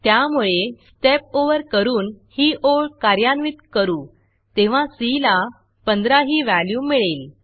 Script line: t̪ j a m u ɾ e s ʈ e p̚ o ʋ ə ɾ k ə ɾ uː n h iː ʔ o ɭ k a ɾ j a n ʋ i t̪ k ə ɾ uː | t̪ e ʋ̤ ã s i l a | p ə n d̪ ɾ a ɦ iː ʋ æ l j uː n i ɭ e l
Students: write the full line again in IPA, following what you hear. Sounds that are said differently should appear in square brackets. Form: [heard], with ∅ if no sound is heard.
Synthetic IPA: t̪ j a m u [ɭ] e s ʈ e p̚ o ʋ ə ɾ k ə ɾ uː n h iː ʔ o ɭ k a ɾ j a n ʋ i t̪ k ə ɾ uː | t̪ e ʋ̤ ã s i l a | p ə n d̪ ɾ a ɦ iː ʋ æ l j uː [m] i ɭ e l